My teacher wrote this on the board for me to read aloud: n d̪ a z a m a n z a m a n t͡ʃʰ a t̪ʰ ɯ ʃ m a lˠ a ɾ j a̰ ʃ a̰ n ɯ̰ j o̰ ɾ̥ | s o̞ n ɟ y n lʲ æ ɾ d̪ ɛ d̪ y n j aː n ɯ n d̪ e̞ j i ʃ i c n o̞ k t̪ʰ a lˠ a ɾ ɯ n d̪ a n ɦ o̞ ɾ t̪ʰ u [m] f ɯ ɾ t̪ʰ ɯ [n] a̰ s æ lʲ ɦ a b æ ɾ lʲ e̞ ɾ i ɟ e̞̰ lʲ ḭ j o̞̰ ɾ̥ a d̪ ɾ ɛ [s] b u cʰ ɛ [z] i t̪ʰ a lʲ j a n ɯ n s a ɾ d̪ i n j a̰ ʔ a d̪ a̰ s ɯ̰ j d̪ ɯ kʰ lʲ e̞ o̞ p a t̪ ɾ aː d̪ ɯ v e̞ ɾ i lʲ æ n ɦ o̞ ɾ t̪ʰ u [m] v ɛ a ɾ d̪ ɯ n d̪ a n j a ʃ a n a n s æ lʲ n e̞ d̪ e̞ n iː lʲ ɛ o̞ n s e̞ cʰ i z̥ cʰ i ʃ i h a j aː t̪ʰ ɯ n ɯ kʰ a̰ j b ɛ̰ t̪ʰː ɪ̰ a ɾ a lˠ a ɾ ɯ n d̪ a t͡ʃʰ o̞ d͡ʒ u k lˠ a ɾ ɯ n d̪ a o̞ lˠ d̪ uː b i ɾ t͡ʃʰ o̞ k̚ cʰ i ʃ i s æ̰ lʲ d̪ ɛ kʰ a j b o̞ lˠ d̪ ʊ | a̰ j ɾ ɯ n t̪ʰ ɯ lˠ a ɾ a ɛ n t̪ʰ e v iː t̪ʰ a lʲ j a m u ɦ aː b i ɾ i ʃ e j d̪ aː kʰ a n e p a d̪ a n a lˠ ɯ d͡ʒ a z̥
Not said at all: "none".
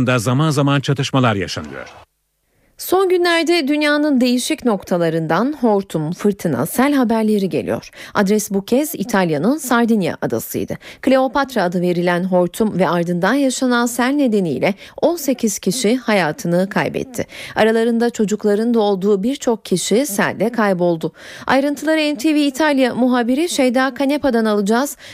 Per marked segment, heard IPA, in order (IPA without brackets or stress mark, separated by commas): m, n, s, z, m